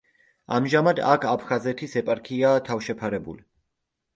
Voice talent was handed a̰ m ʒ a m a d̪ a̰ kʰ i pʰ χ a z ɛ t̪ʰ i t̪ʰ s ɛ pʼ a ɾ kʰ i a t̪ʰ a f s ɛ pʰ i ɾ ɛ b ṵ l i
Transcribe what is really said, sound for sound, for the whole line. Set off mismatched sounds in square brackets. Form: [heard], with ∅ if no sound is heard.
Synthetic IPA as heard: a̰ m ʒ a m a d̪ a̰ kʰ [a] pʰ χ a z ɛ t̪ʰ i [∅] s ɛ pʼ a ɾ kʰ i a t̪ʰ a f [ʃ] ɛ pʰ [a] ɾ ɛ b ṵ l i